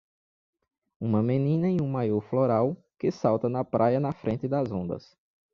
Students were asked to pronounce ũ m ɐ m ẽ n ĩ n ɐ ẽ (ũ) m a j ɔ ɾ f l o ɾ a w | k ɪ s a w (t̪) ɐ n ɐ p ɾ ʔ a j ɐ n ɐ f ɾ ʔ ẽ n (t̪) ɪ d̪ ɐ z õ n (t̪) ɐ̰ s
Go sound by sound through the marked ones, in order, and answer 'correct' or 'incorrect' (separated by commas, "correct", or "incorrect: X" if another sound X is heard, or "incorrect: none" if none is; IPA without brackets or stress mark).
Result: correct, correct, correct, incorrect: d̪